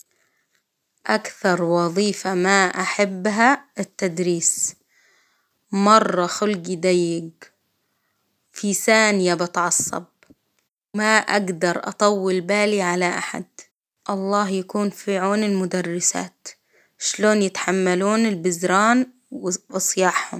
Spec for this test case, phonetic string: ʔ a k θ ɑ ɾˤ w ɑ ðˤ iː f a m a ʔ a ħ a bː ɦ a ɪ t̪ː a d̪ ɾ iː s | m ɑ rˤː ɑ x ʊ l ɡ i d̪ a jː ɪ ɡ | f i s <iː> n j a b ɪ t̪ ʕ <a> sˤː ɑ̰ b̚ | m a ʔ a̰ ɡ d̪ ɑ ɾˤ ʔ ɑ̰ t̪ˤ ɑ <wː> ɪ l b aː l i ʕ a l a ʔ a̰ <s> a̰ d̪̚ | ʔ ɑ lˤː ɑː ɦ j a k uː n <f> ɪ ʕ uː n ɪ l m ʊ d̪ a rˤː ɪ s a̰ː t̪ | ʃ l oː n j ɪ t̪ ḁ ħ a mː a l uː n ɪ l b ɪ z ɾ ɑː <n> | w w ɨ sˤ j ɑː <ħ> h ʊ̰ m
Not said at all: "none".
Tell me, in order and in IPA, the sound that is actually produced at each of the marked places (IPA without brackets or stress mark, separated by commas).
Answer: aː, ɑ, wː, ħ, f, n, ħ